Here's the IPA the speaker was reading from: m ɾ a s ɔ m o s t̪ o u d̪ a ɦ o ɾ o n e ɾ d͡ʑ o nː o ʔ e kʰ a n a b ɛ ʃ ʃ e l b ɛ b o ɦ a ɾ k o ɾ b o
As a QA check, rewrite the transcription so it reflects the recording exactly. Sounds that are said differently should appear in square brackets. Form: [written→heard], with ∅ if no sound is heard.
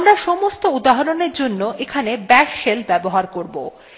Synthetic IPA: m ɾ a [s→ʃ] ɔ m o s t̪ o u d̪ a ɦ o ɾ o n e ɾ d͡ʑ o nː o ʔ e kʰ a n [a→e] b ɛ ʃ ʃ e l b ɛ b o ɦ a ɾ k o ɾ b o